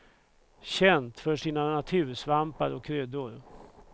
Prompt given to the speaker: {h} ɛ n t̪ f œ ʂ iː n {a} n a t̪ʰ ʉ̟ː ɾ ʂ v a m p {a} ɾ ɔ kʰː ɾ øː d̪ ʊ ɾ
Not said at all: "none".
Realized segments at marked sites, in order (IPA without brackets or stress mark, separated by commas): ɕ, a, a